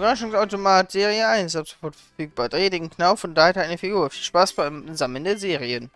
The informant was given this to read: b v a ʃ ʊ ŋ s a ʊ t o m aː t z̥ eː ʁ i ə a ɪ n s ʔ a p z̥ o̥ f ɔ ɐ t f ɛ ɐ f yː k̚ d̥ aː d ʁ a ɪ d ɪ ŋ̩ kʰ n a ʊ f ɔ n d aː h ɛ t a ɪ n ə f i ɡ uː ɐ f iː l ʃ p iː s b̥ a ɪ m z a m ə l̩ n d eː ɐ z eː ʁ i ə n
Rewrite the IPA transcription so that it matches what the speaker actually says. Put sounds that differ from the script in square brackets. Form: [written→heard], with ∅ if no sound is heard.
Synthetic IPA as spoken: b [v→ʁ] a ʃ ʊ ŋ s a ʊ t o m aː t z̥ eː ʁ i ə a ɪ n s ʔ a p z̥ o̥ f ɔ ɐ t f ɛ ɐ f yː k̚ [d̥→b̥] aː d ʁ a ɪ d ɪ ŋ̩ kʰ n a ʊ f ɔ n d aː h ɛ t a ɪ n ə f i ɡ uː ɐ f iː l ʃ p [iː→aː] s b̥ a ɪ m z a m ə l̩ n d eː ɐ z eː ʁ i ə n